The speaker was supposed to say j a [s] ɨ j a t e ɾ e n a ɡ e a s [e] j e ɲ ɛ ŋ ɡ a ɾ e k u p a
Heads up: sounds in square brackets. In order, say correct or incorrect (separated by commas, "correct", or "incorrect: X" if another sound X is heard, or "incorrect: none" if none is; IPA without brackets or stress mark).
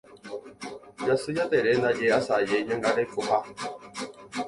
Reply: correct, incorrect: a